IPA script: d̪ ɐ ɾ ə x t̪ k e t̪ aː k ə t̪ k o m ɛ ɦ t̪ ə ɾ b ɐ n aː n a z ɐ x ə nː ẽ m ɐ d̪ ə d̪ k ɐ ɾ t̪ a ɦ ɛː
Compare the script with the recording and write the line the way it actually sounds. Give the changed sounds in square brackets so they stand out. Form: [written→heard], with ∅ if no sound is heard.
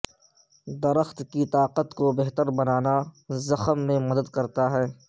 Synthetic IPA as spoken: d̪ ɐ ɾ ə x t̪ k [e→i] t̪ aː [k→q] ə t̪ k o [m→b] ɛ ɦ t̪ ə ɾ b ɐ n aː n a z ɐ x ə [nː→mː] ẽ m ɐ d̪ ə d̪ k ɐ ɾ t̪ a ɦ ɛː